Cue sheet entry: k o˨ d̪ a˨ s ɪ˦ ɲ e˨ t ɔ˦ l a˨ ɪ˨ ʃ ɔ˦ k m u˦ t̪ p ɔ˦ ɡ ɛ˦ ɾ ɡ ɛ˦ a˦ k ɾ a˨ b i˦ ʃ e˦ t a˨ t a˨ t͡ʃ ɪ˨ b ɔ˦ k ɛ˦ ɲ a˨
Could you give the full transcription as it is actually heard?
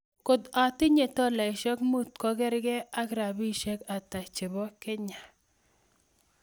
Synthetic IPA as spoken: k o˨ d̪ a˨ t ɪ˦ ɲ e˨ t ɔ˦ l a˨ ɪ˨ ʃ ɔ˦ k m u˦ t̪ k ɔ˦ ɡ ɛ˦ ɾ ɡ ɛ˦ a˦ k ɾ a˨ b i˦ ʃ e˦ k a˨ t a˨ t͡ʃ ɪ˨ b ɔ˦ k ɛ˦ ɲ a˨